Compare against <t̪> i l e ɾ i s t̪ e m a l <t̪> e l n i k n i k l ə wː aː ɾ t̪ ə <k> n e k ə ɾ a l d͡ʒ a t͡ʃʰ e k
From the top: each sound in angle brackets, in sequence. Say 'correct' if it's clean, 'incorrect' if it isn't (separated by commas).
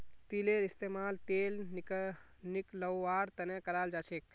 correct, correct, incorrect